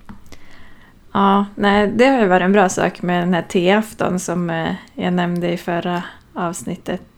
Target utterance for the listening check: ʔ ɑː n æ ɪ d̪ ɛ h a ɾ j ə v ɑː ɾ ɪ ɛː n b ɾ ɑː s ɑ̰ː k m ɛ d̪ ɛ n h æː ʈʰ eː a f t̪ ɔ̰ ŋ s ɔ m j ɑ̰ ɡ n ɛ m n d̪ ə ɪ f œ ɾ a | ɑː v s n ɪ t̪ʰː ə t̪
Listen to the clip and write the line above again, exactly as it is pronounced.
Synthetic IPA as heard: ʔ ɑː n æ ɪ d̪ ɛ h a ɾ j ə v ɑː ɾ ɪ ɛ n b ɾ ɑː s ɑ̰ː k m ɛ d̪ ɛ n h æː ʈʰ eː a f t̪ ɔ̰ n s ɔ m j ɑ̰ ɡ n ɛ m n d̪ ə ɪ f œ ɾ a | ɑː v s n ɪ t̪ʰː ə t̪